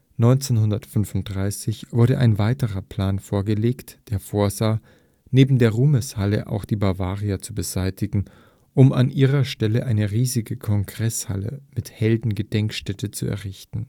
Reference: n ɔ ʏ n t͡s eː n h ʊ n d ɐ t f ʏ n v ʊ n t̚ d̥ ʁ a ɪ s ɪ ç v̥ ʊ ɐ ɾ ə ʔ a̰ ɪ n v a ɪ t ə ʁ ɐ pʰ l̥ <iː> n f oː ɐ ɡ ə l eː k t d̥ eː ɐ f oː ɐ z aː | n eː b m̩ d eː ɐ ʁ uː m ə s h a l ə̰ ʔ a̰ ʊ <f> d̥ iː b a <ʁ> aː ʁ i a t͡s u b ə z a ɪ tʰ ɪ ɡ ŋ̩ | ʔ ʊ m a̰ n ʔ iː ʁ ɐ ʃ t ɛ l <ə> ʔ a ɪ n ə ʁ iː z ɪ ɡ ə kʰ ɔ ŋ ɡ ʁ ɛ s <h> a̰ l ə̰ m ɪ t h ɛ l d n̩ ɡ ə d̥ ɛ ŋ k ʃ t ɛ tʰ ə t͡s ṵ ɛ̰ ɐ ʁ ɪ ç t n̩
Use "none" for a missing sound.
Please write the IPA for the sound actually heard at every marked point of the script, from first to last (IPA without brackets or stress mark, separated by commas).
aː, x, v, ə, h